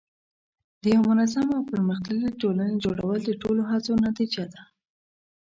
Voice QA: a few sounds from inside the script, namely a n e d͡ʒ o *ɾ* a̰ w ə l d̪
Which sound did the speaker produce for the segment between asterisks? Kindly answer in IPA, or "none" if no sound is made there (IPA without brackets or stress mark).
ɽ